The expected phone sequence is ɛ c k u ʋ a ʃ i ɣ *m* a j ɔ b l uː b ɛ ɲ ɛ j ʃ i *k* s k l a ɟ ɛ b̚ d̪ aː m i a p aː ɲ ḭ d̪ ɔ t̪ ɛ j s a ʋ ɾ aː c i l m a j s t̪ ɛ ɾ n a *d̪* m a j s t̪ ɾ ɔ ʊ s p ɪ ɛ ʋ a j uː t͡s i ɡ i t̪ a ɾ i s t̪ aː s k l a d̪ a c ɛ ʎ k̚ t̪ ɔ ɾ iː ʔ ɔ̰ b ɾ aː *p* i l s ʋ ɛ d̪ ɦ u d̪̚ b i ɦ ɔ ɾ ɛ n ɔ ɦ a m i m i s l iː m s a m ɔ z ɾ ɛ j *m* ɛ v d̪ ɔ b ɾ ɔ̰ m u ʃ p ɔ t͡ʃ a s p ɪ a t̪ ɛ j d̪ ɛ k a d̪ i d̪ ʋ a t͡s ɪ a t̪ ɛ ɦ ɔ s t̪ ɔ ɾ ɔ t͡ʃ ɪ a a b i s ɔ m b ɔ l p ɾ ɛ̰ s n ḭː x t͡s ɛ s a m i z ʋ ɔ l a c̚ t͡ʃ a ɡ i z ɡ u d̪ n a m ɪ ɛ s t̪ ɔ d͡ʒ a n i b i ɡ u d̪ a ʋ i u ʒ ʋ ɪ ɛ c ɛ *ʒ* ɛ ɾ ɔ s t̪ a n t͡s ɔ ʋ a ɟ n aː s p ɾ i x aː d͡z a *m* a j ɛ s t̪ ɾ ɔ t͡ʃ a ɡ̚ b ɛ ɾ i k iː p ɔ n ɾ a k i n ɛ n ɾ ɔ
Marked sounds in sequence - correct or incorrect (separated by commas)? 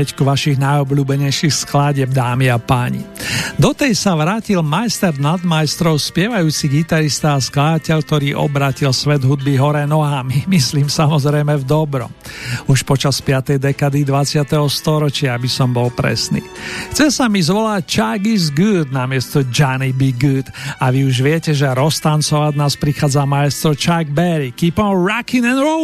incorrect, incorrect, correct, incorrect, correct, correct, correct